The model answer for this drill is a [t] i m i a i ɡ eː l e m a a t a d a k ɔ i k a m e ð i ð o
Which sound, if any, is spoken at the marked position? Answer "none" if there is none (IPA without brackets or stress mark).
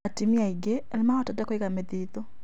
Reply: t